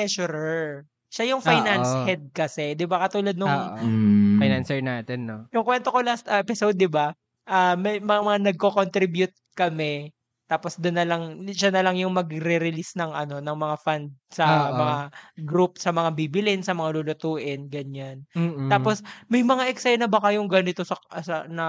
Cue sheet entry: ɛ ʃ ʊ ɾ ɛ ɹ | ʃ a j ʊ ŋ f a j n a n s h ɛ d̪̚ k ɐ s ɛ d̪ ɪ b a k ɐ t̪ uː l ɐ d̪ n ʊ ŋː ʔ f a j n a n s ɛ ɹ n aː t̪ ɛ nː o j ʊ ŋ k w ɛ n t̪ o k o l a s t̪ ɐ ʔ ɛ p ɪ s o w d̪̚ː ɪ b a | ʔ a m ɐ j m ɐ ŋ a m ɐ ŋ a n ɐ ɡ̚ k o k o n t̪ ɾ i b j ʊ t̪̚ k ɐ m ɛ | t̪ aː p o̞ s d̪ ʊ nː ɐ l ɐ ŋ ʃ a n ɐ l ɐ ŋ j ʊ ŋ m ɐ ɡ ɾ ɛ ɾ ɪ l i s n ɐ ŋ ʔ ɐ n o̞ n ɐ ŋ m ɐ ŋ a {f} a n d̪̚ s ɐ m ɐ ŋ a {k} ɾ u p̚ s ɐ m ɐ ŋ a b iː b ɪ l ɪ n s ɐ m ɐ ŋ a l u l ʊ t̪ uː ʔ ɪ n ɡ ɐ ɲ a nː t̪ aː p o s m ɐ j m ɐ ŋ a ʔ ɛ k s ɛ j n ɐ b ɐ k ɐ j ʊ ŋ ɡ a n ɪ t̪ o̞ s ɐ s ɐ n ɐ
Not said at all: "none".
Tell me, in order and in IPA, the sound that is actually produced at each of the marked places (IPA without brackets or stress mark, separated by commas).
f, ɡ